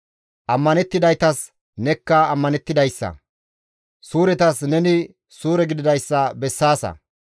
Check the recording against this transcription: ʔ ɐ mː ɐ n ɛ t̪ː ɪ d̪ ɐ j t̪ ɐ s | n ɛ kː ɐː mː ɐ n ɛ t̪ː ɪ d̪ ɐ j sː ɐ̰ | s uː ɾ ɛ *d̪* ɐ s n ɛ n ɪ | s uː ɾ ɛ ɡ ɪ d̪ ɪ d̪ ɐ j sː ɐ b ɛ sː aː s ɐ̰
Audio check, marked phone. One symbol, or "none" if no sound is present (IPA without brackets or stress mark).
t̪